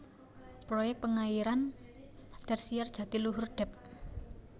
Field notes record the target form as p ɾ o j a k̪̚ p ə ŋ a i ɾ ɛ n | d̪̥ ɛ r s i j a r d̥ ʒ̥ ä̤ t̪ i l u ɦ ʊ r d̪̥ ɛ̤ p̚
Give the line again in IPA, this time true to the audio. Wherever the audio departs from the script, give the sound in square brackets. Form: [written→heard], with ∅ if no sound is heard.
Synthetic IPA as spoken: p ɾ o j [a→ɛ] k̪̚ p ə ŋ a i ɾ [ɛ→a] n | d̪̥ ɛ r s i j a r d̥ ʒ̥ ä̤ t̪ i l u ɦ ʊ r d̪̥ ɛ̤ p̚